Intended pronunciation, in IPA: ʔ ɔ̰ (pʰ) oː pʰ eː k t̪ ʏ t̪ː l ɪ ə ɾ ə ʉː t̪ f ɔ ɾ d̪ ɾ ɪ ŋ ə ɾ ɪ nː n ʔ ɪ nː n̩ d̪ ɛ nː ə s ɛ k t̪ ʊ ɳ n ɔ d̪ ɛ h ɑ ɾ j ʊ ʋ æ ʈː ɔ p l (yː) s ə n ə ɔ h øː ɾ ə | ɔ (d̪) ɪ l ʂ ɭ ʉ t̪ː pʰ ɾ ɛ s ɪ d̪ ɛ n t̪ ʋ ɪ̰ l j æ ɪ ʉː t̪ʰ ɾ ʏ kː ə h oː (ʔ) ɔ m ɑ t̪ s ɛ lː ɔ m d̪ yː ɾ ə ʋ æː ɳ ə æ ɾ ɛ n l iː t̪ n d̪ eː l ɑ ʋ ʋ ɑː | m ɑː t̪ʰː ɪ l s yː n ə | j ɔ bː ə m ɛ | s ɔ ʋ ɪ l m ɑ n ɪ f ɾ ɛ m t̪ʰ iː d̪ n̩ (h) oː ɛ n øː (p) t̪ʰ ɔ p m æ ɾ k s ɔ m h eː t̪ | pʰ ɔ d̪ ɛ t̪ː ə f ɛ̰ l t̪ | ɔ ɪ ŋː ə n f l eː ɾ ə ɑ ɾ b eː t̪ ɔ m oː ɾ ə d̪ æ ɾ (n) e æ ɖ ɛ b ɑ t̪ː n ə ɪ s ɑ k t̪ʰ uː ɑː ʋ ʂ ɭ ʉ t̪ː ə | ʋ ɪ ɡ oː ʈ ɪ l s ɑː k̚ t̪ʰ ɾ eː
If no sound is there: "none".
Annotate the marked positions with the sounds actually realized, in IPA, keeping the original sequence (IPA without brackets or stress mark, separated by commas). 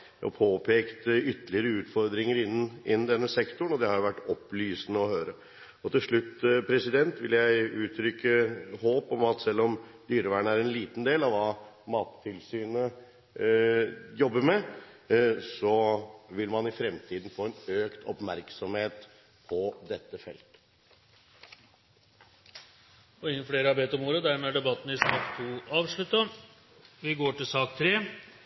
pʰ, yː, t̪, p, f, k, m